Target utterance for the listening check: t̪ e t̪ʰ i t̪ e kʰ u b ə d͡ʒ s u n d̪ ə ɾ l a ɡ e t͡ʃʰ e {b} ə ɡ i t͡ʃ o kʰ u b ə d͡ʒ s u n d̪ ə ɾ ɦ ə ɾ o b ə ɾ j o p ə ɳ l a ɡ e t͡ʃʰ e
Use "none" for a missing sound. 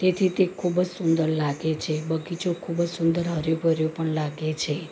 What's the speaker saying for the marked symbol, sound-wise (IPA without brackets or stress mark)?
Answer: b